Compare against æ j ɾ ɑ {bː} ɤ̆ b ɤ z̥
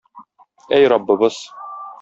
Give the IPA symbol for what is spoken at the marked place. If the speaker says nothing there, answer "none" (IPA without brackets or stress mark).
bː